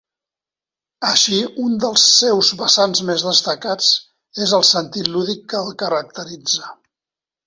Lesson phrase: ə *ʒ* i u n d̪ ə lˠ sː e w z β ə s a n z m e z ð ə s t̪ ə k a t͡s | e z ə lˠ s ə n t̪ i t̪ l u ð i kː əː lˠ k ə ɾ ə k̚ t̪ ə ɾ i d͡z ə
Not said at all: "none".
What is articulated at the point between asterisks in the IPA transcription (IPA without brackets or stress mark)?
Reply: ʃ